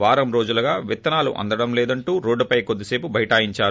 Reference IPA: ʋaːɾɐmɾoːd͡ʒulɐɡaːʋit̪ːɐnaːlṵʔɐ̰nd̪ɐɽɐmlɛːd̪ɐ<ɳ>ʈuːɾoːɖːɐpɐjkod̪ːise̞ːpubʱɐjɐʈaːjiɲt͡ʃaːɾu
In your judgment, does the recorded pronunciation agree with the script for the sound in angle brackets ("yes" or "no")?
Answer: yes